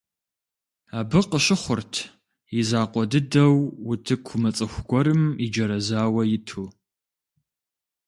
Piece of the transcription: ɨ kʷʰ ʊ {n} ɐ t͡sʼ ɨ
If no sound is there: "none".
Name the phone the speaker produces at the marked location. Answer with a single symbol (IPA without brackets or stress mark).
m